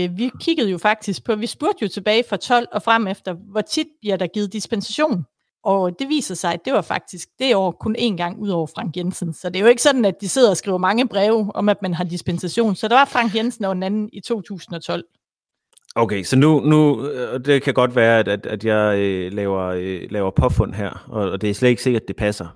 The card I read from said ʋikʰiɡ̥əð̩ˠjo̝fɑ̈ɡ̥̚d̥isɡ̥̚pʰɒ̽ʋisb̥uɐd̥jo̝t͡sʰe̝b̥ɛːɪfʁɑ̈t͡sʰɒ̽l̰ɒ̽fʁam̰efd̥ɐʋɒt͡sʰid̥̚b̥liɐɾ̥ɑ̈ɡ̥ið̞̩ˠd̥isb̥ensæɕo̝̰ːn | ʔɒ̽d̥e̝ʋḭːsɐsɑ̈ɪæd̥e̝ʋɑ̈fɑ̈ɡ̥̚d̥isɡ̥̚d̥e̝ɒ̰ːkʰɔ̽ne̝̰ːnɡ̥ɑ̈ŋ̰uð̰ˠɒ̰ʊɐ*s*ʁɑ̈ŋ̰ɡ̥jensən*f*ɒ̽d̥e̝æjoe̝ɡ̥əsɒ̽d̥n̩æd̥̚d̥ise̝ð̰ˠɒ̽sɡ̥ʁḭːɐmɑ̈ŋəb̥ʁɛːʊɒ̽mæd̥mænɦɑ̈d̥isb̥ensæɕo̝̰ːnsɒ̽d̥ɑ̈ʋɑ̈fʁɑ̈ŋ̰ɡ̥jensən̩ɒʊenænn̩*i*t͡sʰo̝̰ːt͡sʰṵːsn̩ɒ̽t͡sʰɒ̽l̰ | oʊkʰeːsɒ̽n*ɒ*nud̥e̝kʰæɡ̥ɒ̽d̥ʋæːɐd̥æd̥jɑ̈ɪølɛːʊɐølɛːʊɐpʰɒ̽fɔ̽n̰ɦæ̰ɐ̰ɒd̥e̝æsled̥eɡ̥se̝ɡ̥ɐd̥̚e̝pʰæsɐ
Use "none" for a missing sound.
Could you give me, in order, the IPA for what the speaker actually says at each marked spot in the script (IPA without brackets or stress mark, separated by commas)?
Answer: f, s, i, u